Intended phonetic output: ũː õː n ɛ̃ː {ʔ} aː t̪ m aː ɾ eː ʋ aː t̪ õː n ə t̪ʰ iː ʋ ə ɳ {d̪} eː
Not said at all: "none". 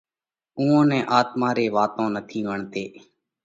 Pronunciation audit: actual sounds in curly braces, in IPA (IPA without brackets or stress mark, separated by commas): ʔ, t̪